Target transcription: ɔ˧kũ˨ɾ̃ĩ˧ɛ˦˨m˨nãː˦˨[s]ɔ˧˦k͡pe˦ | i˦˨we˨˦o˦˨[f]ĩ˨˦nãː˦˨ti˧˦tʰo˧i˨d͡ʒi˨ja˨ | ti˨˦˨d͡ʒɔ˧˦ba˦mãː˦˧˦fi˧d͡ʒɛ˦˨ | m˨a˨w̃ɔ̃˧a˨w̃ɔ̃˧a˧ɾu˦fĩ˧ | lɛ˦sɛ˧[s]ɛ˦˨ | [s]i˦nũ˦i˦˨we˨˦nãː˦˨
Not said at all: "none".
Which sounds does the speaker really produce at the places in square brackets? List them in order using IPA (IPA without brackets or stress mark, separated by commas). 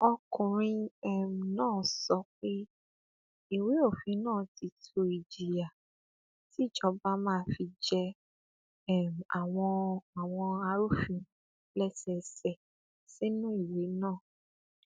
s, f, s, s